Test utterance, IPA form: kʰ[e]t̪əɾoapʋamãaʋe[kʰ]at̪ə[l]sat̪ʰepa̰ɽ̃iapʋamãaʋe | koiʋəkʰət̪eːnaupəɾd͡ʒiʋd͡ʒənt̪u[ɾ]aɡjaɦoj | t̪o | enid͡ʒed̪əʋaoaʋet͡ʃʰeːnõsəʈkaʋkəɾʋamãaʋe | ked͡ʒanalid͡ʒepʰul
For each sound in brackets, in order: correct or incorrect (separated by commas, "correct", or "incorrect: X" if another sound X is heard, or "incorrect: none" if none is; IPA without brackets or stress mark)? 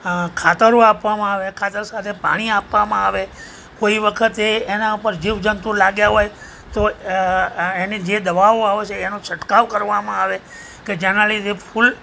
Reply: incorrect: a, correct, incorrect: ɾ, incorrect: l